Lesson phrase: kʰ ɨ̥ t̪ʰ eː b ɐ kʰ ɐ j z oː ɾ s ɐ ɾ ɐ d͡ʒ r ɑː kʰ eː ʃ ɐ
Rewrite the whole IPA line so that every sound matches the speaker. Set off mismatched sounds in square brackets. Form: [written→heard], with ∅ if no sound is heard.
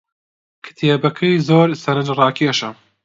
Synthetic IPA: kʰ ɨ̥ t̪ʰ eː b ɐ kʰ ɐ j z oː ɾ s ɐ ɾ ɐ d͡ʒ r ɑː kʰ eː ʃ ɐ